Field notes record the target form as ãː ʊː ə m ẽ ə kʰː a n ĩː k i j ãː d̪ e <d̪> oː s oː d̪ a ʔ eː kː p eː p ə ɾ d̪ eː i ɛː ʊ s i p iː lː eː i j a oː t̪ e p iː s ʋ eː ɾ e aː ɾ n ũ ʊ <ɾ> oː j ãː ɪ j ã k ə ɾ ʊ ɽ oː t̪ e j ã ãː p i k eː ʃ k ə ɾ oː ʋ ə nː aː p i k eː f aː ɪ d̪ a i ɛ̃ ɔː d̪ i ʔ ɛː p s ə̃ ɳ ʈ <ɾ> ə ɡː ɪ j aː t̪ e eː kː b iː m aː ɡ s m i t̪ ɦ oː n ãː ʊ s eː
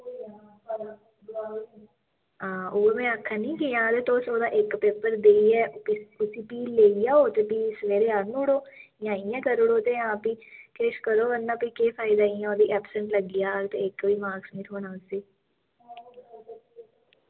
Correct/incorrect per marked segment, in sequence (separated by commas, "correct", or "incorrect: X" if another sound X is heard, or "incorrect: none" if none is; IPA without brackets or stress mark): incorrect: t̪, incorrect: ɽ, incorrect: l